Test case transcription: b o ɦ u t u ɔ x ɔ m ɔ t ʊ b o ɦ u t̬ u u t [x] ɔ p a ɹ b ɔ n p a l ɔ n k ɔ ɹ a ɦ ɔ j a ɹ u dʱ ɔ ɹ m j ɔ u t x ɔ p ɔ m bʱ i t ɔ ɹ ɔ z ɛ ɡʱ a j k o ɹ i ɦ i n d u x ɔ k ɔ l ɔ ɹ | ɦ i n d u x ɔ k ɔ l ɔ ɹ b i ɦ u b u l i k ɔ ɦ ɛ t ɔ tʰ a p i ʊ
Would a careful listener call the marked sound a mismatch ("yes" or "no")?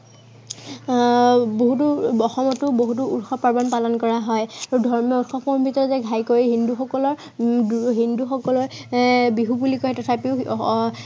no